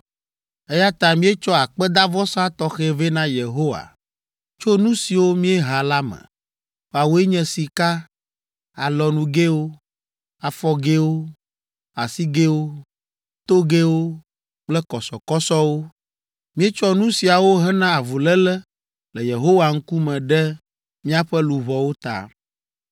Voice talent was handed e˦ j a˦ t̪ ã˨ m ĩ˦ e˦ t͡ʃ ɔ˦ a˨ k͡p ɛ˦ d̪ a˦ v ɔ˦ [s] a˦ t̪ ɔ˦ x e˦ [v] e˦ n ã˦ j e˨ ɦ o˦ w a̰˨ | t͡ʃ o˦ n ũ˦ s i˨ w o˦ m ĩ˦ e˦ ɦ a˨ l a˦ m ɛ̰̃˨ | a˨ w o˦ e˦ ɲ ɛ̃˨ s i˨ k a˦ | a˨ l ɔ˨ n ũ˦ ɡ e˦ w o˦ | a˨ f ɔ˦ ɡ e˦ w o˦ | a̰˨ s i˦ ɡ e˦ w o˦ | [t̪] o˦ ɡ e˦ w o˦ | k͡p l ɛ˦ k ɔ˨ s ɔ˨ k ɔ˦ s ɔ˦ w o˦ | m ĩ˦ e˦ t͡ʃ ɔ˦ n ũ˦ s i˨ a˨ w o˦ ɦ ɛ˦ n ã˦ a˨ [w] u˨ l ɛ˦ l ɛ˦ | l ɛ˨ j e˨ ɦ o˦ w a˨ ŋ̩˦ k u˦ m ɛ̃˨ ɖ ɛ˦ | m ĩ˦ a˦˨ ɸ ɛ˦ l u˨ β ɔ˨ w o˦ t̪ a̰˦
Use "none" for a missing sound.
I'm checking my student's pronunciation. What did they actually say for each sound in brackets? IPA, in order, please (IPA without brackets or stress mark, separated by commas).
s, v, t̪, v